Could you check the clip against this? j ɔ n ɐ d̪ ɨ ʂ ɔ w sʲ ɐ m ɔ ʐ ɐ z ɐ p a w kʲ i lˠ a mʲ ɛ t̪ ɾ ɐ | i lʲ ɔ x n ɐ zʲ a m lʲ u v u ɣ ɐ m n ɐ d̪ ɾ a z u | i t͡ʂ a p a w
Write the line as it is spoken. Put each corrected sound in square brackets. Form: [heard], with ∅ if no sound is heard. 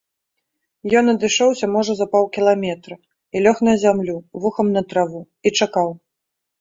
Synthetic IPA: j ɔ n ɐ d̪ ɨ ʂ ɔ w sʲ ɐ m ɔ ʐ ɐ z ɐ p a w kʲ i lˠ a mʲ ɛ t̪ ɾ ɐ | i lʲ ɔ x n ɐ zʲ a m lʲ u v u [x] ɐ m n ɐ [t̪] ɾ a [v] u | i t͡ʂ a [k] a w